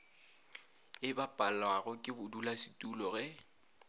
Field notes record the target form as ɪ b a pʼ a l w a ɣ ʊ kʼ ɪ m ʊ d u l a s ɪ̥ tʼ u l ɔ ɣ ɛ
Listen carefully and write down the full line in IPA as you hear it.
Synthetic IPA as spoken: ɪ b a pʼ a l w a ɣ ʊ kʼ ɪ b ʊ d u l a s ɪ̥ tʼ u l ɔ ɣ ɛ